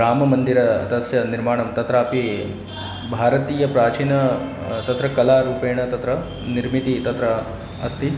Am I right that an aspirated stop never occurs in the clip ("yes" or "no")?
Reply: yes